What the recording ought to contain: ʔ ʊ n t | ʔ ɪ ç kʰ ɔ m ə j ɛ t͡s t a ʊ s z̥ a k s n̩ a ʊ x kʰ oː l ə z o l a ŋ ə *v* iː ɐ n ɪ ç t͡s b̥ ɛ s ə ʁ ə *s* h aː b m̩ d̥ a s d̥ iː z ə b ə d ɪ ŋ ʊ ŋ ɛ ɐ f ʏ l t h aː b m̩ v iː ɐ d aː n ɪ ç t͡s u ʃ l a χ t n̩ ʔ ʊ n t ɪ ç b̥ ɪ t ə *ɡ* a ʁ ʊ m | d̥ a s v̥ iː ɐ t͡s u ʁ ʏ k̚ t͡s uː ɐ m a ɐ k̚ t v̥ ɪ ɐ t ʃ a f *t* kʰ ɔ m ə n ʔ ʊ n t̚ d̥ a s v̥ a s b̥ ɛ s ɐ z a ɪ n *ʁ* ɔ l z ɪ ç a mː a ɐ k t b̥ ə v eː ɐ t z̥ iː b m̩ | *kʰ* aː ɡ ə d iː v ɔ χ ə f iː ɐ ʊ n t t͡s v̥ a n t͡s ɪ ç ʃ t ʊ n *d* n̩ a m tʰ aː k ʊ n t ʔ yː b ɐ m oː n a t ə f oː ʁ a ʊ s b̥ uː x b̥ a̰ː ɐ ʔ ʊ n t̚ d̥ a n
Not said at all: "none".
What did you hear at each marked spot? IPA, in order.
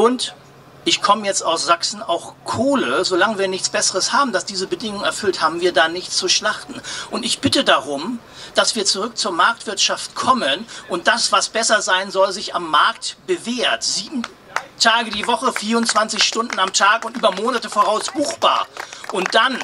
v, s, d, t, z, tʰ, d

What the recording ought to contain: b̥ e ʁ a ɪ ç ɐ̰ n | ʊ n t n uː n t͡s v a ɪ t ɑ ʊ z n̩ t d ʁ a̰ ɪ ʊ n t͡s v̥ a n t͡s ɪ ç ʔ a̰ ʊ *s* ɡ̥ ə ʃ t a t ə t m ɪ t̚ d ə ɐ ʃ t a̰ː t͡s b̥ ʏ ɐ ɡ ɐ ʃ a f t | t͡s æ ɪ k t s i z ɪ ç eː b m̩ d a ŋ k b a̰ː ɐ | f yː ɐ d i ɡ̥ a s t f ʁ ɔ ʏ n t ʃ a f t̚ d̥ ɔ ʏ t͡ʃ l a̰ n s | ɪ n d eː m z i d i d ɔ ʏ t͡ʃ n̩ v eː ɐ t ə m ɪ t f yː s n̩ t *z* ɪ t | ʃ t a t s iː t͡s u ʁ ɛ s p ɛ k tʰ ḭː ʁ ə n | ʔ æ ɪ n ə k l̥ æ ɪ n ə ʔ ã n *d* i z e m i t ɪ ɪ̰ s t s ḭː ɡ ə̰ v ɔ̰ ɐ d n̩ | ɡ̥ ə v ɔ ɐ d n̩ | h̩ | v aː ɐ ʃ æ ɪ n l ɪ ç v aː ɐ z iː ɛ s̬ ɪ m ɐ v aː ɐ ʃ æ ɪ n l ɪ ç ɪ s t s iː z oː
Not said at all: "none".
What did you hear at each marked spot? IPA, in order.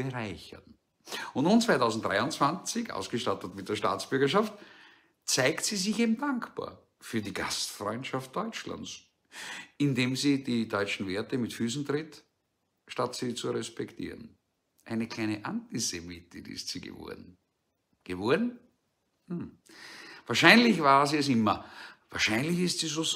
s, ʁ, t

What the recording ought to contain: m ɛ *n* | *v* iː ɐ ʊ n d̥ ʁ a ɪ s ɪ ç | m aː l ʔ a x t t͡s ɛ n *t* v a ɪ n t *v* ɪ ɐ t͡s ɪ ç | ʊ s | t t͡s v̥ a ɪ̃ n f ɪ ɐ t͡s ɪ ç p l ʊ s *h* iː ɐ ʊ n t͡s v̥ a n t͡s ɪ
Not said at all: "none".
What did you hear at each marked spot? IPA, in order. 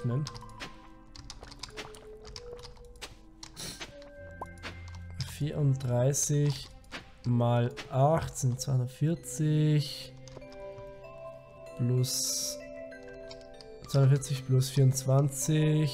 n, f, t͡s, f, f

